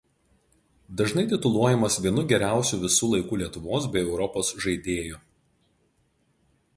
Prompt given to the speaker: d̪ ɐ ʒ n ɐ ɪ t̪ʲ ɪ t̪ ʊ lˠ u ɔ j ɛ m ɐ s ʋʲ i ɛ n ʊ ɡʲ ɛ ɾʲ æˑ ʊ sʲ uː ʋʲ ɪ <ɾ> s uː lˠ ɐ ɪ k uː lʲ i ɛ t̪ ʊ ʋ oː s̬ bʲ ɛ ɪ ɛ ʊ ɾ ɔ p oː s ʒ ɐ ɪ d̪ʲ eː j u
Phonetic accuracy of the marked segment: incorrect: none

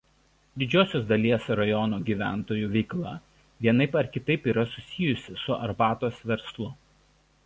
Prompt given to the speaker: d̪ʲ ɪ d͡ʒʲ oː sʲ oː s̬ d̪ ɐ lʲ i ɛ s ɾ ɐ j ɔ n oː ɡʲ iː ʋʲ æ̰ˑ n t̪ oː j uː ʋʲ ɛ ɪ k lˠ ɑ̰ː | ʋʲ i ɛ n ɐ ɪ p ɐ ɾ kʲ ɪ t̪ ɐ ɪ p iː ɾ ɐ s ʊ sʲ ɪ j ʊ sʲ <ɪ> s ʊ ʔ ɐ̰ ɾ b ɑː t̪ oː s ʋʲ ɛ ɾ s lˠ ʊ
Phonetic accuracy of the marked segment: correct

